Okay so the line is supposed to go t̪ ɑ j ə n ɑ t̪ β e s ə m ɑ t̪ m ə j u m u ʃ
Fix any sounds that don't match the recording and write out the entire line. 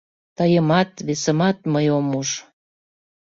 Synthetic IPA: t̪ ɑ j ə m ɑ t̪ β e s ə m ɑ t̪ m ə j o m u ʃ